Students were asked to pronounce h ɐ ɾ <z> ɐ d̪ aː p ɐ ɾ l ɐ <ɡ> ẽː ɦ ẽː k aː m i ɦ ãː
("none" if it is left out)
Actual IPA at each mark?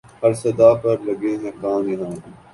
s, ɡ

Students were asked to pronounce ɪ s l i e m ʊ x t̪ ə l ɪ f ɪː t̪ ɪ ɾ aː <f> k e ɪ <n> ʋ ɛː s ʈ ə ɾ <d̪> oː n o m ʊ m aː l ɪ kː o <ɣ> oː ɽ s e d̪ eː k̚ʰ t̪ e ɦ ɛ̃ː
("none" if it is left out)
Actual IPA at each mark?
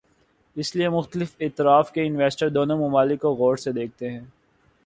f, n, d̪, ɣ

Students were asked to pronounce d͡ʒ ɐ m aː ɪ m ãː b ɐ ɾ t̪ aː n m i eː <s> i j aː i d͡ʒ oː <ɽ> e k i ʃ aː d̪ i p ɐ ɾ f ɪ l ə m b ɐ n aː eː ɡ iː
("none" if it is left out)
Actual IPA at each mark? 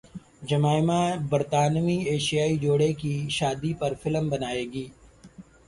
ʃ, ɽ

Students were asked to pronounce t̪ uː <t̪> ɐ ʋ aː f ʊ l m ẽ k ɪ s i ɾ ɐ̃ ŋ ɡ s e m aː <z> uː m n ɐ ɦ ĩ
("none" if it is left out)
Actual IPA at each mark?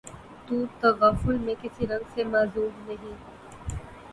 t̪, z

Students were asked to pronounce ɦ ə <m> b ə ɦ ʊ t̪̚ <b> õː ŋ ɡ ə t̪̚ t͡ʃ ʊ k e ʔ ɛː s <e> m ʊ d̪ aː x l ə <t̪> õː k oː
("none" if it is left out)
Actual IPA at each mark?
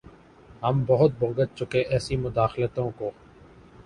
m, b, i, t̪

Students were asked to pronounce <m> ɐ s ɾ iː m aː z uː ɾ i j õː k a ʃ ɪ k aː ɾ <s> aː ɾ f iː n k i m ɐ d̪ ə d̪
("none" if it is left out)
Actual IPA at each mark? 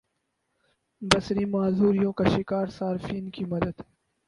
b, s

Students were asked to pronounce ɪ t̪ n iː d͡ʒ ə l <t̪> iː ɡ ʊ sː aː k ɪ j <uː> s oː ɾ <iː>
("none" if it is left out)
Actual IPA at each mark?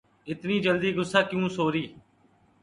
d̪, ũː, iː

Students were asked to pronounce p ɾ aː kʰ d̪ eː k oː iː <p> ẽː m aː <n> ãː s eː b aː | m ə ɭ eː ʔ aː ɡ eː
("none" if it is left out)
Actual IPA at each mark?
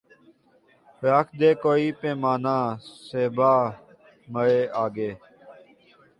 p, n

